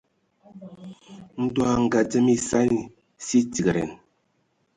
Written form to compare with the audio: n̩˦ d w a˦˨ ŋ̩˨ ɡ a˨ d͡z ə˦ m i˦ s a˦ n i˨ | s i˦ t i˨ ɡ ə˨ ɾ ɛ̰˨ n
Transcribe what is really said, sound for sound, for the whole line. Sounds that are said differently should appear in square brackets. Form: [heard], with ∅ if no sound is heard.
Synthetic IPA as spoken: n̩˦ d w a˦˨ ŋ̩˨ ɡ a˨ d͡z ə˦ m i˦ s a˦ n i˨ | s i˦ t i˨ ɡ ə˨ ɾ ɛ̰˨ n